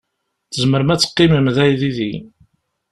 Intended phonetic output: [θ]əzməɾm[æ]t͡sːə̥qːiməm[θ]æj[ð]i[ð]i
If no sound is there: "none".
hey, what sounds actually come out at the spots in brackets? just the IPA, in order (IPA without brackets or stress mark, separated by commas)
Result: θ, æ, ð, ð, ð